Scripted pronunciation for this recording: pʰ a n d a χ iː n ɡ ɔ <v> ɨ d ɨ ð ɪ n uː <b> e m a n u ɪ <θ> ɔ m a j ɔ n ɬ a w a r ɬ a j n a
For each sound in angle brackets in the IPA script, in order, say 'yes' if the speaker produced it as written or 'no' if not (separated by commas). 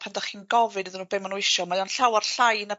yes, yes, no